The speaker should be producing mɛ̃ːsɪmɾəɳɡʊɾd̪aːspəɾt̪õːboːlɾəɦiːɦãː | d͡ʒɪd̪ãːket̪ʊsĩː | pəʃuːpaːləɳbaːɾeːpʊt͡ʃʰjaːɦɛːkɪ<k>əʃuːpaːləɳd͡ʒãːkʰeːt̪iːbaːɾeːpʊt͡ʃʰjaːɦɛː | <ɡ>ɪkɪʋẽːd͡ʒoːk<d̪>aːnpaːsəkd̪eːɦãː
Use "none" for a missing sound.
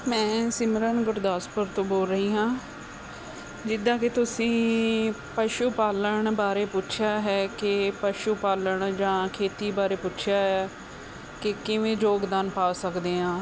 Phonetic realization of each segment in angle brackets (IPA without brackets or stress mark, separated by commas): p, k, d̪